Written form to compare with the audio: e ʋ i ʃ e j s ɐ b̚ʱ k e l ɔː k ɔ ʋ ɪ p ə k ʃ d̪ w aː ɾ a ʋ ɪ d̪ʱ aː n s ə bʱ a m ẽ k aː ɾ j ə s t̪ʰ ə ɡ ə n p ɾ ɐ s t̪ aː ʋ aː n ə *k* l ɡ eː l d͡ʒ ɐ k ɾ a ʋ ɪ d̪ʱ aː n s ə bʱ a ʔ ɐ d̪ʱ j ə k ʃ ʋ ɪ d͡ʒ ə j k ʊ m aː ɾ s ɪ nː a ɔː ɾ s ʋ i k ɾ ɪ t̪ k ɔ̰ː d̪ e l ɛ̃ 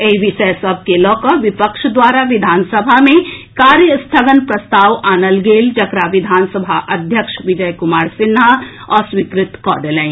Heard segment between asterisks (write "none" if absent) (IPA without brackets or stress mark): none